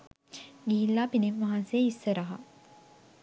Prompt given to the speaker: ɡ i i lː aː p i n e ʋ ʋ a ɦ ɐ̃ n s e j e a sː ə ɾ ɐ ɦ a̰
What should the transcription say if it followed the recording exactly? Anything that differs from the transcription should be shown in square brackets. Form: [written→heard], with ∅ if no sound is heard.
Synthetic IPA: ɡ i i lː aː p i n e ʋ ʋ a ɦ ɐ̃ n s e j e [a→i] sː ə ɾ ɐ ɦ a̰